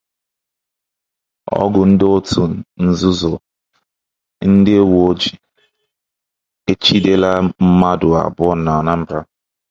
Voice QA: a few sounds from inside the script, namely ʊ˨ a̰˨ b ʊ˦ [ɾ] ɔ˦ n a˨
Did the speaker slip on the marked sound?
yes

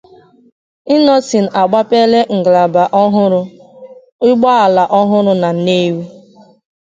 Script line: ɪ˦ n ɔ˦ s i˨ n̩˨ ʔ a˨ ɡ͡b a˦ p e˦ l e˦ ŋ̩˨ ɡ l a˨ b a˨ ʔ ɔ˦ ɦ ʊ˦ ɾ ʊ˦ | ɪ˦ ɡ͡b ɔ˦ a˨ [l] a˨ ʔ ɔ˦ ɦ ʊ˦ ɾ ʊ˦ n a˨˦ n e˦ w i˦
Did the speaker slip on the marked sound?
no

